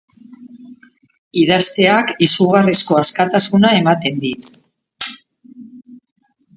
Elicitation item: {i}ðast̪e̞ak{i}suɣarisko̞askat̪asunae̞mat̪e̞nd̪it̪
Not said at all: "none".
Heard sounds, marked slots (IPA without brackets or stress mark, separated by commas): i, i